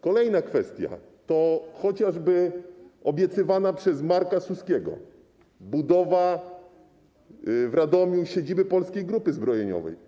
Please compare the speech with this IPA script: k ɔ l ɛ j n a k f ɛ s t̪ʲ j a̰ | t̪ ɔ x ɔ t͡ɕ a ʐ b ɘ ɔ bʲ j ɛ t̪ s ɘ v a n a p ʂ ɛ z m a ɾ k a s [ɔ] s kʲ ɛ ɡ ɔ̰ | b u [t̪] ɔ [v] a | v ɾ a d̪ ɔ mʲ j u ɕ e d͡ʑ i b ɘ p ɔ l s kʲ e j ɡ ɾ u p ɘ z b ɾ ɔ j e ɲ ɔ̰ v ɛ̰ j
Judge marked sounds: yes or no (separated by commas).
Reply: no, no, yes